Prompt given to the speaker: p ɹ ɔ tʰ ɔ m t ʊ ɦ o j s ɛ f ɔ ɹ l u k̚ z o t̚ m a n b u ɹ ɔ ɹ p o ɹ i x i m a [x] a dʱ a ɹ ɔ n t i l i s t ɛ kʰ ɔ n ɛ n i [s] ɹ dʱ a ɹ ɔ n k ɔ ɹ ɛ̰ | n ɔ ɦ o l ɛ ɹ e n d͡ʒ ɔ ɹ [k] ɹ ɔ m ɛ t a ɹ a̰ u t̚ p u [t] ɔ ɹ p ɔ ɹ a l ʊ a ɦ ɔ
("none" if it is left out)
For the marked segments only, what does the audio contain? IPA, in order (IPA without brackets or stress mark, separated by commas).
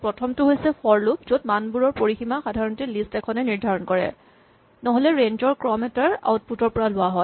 x, none, k, t